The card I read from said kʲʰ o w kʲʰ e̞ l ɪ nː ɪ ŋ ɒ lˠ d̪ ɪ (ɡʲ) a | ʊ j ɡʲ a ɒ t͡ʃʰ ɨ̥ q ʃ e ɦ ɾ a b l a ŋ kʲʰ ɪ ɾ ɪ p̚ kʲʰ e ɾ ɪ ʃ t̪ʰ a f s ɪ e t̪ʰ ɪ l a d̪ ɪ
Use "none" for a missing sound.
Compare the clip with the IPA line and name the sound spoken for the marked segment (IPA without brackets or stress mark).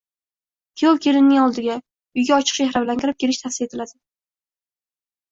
ɡʲ